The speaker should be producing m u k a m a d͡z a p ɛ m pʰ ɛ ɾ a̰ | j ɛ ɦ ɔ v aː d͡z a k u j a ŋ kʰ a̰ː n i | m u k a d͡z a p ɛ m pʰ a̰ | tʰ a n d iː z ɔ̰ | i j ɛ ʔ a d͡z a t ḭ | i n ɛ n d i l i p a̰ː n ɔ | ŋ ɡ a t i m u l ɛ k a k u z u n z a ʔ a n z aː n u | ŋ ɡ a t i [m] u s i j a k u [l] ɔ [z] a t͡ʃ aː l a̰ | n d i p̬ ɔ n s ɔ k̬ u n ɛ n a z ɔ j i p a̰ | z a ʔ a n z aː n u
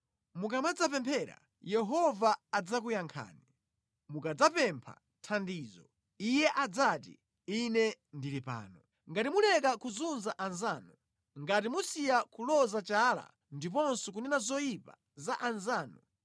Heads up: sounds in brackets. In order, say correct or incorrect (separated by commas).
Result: correct, correct, correct